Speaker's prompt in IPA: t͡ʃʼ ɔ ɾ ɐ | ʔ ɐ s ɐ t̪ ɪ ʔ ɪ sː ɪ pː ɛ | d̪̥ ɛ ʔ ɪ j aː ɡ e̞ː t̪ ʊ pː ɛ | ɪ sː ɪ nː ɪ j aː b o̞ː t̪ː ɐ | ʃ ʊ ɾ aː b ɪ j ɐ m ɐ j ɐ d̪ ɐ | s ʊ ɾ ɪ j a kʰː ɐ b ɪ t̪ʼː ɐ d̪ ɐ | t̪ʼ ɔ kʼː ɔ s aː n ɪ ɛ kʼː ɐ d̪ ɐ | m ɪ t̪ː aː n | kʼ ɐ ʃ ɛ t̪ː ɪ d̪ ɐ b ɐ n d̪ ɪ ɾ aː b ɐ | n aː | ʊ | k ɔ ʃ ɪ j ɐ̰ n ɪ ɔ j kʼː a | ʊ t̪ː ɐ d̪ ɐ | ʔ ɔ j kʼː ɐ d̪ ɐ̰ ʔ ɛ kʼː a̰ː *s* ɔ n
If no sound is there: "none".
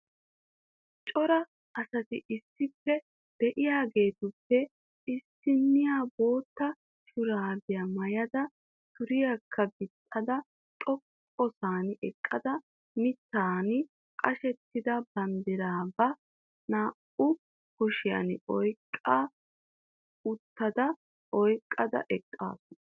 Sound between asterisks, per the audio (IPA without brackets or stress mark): s